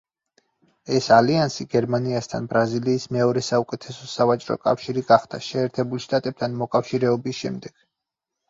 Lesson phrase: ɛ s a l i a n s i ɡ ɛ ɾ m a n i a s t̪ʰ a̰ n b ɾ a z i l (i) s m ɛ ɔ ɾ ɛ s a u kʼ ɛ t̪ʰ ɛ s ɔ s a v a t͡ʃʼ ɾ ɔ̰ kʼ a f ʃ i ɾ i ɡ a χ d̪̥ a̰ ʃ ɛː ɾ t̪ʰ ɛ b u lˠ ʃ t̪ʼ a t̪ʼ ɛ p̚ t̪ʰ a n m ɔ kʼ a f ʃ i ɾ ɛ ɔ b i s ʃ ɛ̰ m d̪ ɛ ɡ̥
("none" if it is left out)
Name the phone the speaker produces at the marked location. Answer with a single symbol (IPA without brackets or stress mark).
iː